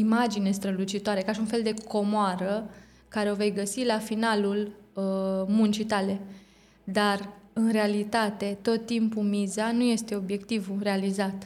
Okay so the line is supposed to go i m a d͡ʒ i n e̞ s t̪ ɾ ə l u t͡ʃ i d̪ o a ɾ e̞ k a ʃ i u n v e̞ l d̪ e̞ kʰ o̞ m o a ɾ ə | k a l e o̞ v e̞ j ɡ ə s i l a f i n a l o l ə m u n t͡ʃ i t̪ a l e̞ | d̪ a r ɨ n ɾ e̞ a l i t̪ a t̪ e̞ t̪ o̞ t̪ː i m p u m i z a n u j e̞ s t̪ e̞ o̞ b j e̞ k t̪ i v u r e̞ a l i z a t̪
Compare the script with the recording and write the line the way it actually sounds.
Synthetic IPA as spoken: i m a d͡ʒ i n e̞ s t̪ ɾ ə l u t͡ʃ i t̪ o a ɾ e̞ k a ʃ i u n f e̞ l d̪ e̞ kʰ o̞ m o a ɾ ə | k a ɾ e o̞ v e̞ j ɡ ə s i l a f i n a l u l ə m u n t͡ʃ i t̪ a l e̞ | d̪ a r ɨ n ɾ e̞ a l i t̪ a t̪ e̞ t̪ o̞ t̪ː i m p u m i z a n u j e̞ s t̪ e̞ o̞ b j e̞ k t̪ i v u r e̞ a l i z a t̪